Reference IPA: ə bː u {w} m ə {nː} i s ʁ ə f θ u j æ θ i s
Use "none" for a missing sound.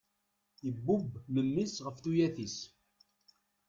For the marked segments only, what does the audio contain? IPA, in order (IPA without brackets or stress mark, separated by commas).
b, mː